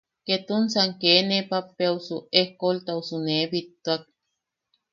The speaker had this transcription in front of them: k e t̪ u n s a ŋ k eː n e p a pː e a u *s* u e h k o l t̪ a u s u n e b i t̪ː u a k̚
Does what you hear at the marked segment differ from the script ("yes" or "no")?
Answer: no